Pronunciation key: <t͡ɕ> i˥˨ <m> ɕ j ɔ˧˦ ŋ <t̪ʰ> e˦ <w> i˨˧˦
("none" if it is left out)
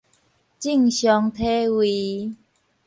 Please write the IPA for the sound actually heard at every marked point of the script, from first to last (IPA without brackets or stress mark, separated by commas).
t͡ɕ, ŋ, t̪ʰ, w